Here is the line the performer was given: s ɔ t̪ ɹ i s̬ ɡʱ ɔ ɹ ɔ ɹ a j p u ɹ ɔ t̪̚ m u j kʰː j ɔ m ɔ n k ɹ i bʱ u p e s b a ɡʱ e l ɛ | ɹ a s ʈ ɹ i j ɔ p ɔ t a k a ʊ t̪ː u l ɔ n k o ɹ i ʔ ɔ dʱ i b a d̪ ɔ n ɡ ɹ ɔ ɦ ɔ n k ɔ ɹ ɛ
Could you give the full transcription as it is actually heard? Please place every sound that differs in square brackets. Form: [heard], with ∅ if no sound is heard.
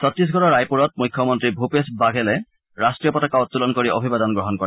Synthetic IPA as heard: s ɔ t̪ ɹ i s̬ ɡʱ ɔ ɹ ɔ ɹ a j p u ɹ ɔ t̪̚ m u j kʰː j ɔ m ɔ n [t] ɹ i bʱ u p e s b a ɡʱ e l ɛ | ɹ a s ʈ ɹ i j ɔ p ɔ t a k a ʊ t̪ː u l ɔ n k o ɹ i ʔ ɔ [bʱ] i b a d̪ ɔ n ɡ ɹ ɔ ɦ ɔ n k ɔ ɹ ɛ